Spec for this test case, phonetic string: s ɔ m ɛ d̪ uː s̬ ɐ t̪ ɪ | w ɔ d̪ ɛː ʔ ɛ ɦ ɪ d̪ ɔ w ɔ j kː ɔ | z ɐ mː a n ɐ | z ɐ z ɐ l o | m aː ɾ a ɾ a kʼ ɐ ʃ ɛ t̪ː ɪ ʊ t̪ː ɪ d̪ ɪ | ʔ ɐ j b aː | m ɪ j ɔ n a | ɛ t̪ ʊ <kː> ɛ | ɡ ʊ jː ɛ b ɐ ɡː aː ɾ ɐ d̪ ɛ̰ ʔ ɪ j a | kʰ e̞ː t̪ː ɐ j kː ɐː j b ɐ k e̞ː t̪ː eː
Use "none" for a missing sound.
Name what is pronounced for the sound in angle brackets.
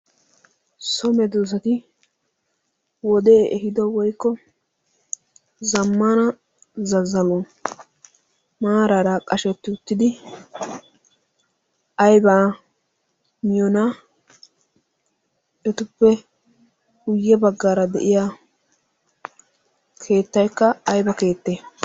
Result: pː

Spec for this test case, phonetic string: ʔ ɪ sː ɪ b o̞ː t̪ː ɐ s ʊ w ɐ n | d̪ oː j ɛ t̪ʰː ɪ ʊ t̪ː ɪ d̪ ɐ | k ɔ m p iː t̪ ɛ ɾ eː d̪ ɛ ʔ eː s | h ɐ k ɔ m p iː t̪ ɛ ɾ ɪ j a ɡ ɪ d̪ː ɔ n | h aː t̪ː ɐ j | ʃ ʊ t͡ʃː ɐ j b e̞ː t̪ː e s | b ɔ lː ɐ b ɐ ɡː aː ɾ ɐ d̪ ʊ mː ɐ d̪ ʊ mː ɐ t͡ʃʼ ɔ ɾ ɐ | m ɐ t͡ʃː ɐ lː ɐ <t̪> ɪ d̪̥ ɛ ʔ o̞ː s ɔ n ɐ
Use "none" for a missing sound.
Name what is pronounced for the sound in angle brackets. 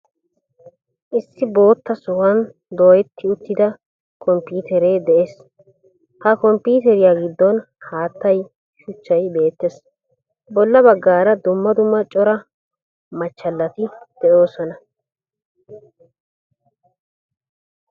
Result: t̪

